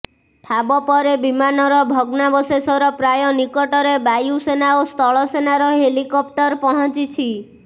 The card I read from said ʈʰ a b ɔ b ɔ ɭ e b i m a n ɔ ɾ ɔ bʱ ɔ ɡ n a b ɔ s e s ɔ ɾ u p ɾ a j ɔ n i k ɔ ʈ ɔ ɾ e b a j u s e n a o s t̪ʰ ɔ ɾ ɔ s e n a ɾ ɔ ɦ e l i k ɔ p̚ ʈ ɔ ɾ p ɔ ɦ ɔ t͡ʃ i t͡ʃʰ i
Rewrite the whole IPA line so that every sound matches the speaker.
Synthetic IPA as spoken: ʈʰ a b ɔ p ɔ ɾ e b i m a n ɔ ɾ ɔ bʱ ɔ ɡ n a b ɔ s e s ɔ ɾ ɔ p ɾ a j ɔ n i k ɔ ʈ ɔ ɾ e b a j u s e n a o s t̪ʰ ɔ ɭ ɔ s e n a ɾ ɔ ɦ e l i k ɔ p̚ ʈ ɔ ɾ p ɔ ɦ ɔ t͡ʃ i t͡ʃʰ i

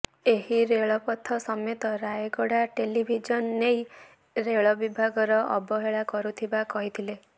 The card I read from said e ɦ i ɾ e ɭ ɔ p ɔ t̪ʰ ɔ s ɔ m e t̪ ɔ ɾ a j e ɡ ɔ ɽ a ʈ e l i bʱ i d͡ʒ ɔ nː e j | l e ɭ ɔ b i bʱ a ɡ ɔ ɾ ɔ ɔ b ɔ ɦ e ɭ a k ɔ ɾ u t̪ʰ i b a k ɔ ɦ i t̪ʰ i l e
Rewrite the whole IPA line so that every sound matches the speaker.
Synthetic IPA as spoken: e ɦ i ɾ e ɭ ɔ p ɔ t̪ʰ ɔ s ɔ m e t̪ ɔ ɾ a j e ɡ ɔ ɽ a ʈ e l i bʱ i d͡ʒ ɔ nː e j | ɾ e ɭ ɔ b i bʱ a ɡ ɔ ɾ ɔ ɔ b ɔ ɦ e ɭ a k ɔ ɾ u t̪ʰ i b a k ɔ ɦ i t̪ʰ i l e

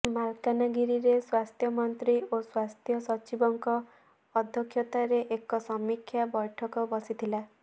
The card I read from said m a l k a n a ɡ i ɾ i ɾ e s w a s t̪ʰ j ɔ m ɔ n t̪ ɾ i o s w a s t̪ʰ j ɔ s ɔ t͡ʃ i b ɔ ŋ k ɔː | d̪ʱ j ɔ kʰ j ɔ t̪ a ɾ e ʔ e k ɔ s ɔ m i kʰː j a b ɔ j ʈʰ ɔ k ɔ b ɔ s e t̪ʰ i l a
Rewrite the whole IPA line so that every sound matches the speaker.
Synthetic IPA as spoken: m a l k a n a ɡ i ɾ i ɾ e s w a s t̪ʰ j ɔ m ɔ n t̪ ɾ i o s w a s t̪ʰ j ɔ s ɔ t͡ʃ i b ɔ ŋ k ɔː | d̪ʱ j ɔ kʰ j ɔ t̪ a ɾ e ʔ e k ɔ s ɔ m i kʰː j a b ɔ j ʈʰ ɔ k ɔ b ɔ s i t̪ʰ i l a

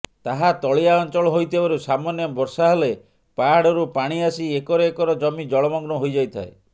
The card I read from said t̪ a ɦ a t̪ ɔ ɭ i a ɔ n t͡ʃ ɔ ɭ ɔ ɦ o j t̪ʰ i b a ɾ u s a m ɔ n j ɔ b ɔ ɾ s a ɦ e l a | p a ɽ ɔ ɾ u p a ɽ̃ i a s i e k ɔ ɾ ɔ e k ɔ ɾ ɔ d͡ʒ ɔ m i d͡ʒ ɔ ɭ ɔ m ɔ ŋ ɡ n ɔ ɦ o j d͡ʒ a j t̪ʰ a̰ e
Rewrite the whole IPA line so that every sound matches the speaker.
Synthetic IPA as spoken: t̪ a ɦ a t̪ ɔ ɭ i a ɔ n t͡ʃ ɔ ɭ ɔ ɦ o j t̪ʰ i b a ɾ u s a m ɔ n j ɔ b ɔ ɾ s a ɦ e l e | p a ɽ ɔ ɾ u p a ɽ̃ i a s i e k ɔ ɾ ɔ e k ɔ ɾ ɔ d͡ʒ ɔ m i d͡ʒ ɔ ɭ ɔ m ɔ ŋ ɡ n ɔ ɦ o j d͡ʒ a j t̪ʰ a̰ e

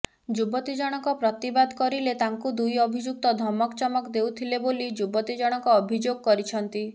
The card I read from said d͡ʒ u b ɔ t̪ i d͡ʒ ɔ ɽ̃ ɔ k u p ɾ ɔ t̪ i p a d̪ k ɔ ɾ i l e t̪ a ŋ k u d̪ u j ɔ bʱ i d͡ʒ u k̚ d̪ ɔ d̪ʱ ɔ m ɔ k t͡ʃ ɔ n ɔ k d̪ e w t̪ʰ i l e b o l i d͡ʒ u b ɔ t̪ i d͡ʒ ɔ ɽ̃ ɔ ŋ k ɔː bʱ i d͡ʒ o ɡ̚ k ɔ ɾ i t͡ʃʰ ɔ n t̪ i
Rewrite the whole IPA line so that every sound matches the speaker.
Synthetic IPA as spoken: d͡ʒ u b ɔ t̪ i d͡ʒ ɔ ɽ̃ ɔ k ɔ p ɾ ɔ t̪ i b a d̪ k ɔ ɾ i l e t̪ a ŋ k u d̪ u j ɔ bʱ i d͡ʒ u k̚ t̪ ɔ d̪ʱ ɔ m ɔ k t͡ʃ ɔ m ɔ k d̪ e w t̪ʰ i l e b o l i d͡ʒ u b ɔ t̪ i d͡ʒ ɔ ɽ̃ ɔ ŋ k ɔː bʱ i d͡ʒ o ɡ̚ k ɔ ɾ i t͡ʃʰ ɔ n t̪ i

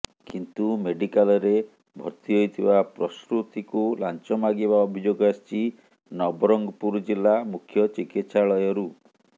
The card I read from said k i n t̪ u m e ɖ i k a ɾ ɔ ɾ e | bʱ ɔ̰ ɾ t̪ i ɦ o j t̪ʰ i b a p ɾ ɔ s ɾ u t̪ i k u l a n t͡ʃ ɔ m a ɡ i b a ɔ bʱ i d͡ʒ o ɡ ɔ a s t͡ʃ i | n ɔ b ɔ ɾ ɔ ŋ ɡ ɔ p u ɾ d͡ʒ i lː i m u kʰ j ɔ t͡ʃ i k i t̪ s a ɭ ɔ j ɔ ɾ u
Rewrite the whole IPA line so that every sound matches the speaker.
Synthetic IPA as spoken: k i n t̪ u m e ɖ i k a l ɔ ɾ e | bʱ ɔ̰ ɾ t̪ i ɦ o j t̪ʰ i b a p ɾ ɔ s ɾ u t̪ i k u l a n t͡ʃ ɔ m a ɡ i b a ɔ bʱ i d͡ʒ o ɡ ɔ a s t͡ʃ i | n ɔ b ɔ ɾ ɔ ŋ ɡ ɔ p u ɾ d͡ʒ i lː a m u kʰ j ɔ t͡ʃ i k i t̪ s a ɭ ɔ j ɔ ɾ u

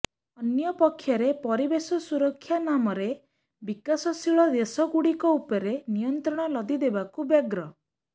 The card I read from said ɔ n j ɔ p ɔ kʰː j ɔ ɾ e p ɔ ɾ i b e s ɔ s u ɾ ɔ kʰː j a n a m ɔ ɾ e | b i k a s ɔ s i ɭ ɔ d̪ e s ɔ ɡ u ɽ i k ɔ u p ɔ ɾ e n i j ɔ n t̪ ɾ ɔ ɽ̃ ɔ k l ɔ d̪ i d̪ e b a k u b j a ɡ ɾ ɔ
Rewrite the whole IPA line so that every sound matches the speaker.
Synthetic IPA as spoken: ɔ n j ɔ p ɔ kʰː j ɔ ɾ e p ɔ ɾ i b e s ɔ s u ɾ ɔ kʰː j a n a m ɔ ɾ e | b i k a s ɔ s i ɭ ɔ d̪ e s ɔ ɡ u ɽ i k ɔ u p ɔ ɾ e n i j ɔ n t̪ ɾ ɔ ɽ̃ ɔ l ɔ d̪ i d̪ e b a k u b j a ɡ ɾ ɔ

